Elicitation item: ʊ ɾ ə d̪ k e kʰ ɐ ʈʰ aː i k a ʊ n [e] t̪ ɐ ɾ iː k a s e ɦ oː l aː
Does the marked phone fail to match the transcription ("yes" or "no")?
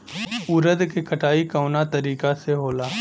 yes